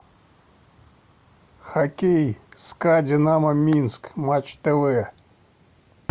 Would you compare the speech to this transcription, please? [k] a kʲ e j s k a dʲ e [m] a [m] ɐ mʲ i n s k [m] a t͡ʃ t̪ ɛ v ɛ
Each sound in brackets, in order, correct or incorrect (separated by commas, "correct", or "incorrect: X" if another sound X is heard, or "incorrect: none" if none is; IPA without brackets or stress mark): incorrect: x, incorrect: n, correct, correct